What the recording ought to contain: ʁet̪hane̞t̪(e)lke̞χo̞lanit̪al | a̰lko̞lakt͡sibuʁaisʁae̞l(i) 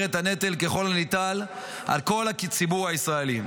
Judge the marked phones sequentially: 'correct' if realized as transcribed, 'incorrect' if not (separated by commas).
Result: correct, correct